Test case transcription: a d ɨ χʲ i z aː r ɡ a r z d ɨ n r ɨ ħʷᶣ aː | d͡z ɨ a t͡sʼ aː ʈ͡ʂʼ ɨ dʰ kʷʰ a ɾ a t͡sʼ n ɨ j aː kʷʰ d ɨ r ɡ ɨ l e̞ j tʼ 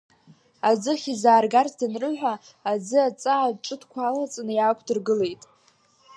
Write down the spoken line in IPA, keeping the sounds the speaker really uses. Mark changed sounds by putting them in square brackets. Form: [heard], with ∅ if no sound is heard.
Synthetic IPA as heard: a [d͡z] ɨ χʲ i z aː r ɡ a r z d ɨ n r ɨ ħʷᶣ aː | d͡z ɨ a t͡sʼ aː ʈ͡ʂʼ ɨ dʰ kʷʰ a [l] a t͡sʼ n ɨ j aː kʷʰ d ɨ r ɡ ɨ l e̞ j tʼ